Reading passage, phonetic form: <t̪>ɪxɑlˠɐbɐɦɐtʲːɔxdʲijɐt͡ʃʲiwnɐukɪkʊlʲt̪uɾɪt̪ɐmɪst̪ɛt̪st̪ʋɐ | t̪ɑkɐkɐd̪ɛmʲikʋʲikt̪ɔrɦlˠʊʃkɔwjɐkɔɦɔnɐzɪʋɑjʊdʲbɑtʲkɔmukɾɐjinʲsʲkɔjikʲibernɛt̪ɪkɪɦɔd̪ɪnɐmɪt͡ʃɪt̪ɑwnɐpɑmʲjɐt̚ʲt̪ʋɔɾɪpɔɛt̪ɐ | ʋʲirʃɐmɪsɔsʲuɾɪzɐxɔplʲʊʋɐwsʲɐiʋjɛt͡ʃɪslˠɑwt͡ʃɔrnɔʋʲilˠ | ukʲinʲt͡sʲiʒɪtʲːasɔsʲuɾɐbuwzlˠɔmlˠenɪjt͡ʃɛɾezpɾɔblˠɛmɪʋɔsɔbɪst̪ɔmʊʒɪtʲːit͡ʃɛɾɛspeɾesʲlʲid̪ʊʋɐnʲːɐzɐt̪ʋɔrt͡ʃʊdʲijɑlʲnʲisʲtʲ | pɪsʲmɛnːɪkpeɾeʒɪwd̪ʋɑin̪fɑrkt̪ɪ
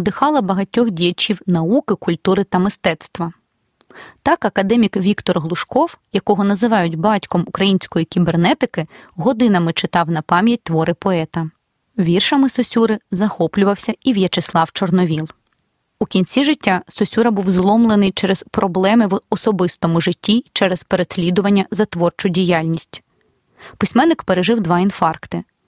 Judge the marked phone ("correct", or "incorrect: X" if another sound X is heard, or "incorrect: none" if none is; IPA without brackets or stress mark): incorrect: d̪